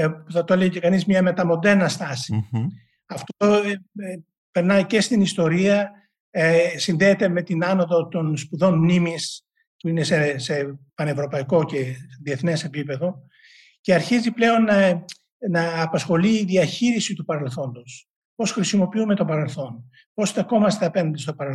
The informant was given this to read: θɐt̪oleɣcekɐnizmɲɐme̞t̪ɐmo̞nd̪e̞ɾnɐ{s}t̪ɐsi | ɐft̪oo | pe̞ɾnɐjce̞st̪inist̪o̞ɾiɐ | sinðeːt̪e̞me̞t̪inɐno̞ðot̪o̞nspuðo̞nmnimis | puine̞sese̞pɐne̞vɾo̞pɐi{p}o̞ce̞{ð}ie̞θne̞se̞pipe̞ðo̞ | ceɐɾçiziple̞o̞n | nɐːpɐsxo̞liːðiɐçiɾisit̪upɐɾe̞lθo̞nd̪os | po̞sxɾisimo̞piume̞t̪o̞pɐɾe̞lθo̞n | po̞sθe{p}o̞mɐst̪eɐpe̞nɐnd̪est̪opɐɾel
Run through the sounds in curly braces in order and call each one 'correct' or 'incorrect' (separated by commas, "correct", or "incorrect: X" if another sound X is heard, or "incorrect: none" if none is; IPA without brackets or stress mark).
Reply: correct, incorrect: k, correct, incorrect: k